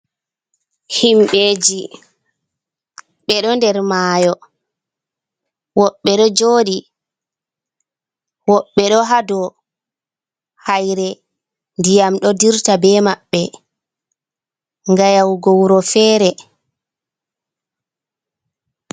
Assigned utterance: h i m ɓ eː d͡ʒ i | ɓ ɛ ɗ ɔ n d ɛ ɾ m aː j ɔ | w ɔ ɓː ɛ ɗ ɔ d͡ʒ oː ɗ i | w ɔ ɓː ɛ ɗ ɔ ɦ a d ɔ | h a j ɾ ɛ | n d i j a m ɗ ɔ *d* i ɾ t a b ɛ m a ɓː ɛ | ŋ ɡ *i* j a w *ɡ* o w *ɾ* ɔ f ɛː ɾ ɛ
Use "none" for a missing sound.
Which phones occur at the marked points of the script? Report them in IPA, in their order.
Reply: d, a, ɡ, ɾ

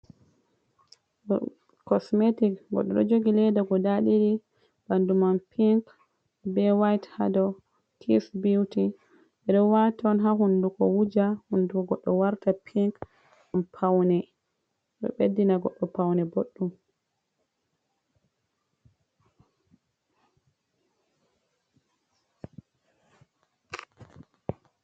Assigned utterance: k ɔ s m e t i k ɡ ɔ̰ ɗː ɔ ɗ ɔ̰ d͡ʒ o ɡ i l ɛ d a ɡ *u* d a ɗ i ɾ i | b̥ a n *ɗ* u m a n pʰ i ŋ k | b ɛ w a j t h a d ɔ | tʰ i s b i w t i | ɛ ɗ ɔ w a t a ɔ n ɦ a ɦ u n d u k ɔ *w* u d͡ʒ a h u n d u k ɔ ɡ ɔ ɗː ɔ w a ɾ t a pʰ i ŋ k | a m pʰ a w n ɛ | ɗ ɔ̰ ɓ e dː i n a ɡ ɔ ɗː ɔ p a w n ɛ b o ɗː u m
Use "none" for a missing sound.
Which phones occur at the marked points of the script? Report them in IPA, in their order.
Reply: ɔ, d, w

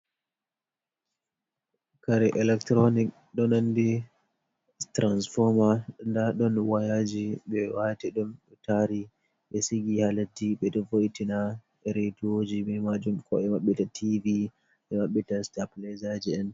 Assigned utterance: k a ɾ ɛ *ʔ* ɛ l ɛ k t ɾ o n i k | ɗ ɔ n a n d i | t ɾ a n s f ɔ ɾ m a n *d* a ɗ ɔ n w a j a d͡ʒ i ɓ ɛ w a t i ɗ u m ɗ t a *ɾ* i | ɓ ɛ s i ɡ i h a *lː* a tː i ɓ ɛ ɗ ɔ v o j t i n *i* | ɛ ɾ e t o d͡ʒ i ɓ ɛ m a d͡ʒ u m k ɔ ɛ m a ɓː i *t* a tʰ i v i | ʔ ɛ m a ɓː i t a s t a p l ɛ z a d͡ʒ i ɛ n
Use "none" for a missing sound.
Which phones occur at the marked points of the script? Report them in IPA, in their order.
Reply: ʔ, d, ɾ, l, a, t

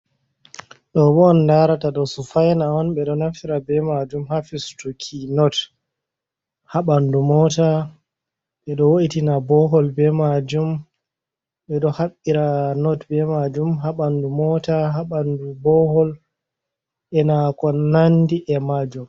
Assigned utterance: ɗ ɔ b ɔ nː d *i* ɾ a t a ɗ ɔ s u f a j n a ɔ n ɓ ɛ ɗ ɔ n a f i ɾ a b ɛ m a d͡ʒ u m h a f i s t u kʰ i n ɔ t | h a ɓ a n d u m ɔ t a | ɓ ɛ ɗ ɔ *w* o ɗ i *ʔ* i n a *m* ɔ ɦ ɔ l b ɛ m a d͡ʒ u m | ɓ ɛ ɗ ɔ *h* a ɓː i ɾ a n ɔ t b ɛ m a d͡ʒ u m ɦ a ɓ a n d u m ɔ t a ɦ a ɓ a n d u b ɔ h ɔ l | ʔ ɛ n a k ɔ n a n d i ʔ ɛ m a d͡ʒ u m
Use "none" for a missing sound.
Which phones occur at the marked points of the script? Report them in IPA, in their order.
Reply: a, w, t, b, h

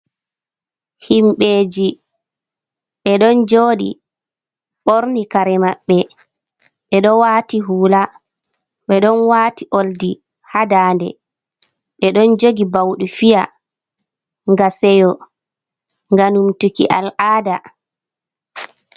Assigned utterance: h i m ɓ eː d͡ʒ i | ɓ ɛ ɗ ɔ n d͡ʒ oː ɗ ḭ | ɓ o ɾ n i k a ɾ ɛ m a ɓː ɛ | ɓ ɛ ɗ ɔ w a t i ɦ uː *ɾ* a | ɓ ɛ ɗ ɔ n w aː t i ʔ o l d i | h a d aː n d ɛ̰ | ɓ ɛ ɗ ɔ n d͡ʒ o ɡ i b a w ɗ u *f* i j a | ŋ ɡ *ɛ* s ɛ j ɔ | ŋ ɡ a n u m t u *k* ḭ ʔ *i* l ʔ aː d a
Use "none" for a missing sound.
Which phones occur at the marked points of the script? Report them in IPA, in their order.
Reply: l, f, a, k, a

